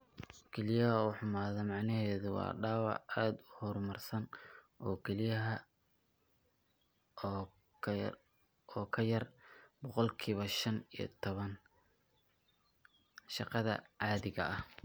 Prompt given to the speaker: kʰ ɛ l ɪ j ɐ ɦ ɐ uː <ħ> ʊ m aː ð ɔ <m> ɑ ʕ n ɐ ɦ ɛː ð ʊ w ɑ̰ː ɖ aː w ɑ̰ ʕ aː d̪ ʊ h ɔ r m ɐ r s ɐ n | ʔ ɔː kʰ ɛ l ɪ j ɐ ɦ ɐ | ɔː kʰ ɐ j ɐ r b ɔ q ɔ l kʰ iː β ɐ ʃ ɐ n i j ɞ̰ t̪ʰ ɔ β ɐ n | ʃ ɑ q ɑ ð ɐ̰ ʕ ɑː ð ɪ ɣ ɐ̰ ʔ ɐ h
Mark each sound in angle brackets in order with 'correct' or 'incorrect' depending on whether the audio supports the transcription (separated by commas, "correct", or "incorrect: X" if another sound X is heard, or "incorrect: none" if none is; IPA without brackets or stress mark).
correct, correct